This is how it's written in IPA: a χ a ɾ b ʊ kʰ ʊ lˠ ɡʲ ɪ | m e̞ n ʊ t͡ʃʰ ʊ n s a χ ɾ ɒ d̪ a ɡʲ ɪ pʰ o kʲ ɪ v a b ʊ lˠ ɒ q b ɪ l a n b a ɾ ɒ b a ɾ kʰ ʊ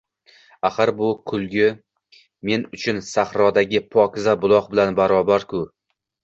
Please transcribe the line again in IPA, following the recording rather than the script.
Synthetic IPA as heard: a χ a ɾ b ʊ kʰ ʊ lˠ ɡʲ ɪ | m e̞ n ʊ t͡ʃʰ ʊ n s a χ ɾ ɒ d̪ a ɡʲ ɪ pʰ ɒ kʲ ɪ z a b ʊ lˠ ɒ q b ɪ l a n b a ɾ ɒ b a ɾ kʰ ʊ